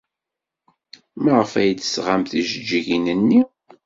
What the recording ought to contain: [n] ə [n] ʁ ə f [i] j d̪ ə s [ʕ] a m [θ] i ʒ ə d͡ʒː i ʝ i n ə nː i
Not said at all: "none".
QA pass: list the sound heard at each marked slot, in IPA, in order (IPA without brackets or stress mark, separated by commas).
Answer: m, none, æ, ʁ, θ